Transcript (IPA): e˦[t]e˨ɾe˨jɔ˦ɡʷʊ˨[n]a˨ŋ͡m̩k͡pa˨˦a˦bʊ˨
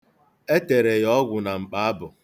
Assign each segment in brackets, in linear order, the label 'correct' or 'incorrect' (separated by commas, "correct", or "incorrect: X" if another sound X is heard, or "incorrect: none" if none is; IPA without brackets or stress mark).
correct, correct